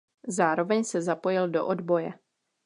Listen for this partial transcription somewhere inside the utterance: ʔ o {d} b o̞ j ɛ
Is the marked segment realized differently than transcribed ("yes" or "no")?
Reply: no